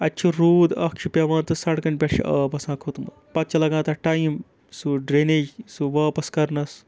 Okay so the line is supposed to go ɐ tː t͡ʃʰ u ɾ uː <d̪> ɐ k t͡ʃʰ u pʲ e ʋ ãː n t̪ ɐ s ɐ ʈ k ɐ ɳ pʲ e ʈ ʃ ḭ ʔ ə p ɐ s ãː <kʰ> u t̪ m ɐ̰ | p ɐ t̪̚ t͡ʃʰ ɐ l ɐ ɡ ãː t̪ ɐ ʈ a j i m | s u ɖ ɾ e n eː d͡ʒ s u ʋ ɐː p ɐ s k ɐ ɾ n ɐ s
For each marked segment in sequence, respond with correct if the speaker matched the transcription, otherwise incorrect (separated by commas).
correct, correct